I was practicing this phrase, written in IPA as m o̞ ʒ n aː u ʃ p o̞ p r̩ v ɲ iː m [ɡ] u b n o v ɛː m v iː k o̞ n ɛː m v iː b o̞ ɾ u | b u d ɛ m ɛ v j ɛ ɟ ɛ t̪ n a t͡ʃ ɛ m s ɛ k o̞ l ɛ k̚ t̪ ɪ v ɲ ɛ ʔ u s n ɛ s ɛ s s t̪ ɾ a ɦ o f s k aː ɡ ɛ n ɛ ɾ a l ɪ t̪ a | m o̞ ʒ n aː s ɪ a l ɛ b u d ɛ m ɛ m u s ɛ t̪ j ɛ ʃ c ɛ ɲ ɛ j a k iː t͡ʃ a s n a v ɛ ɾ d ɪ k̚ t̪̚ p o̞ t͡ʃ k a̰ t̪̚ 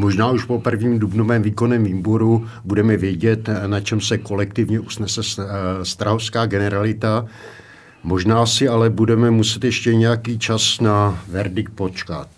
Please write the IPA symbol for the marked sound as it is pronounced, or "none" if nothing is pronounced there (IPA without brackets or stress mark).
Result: d